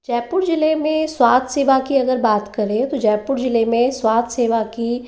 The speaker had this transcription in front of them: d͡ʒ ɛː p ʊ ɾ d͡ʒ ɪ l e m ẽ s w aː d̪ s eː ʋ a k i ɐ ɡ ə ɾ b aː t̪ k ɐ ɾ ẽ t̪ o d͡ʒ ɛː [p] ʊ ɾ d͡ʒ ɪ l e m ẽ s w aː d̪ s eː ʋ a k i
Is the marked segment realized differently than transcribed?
no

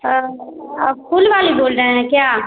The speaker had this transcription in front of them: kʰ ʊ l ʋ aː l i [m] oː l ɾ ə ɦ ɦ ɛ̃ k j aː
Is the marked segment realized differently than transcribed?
yes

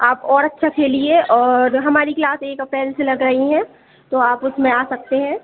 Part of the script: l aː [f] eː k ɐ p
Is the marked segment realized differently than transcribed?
yes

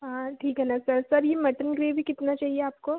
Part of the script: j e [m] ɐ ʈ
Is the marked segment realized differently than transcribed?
no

